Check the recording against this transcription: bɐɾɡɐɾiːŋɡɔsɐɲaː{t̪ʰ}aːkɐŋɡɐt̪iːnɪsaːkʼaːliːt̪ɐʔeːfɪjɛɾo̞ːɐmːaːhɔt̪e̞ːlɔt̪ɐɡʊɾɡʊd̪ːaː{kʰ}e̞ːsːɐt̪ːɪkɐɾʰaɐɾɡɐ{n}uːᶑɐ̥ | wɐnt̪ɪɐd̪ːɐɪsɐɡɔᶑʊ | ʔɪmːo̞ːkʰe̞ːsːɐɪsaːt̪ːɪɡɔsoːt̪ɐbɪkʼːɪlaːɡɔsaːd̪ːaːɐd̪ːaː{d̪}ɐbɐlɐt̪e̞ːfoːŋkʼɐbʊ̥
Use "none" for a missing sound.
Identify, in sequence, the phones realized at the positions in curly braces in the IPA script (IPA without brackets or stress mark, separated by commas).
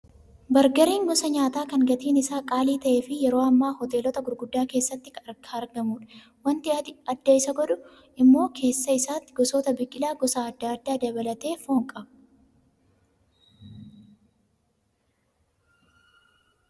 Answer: t̪, k, m, d̪